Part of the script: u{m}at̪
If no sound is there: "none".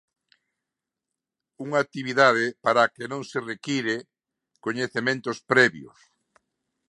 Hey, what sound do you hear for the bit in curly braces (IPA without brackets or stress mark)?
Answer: ŋ